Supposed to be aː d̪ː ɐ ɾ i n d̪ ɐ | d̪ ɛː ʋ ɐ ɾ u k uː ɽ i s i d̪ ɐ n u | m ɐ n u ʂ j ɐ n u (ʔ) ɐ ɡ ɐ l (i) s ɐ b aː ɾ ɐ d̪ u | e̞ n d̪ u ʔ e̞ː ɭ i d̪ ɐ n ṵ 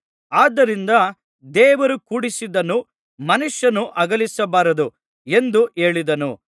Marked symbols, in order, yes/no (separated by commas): yes, yes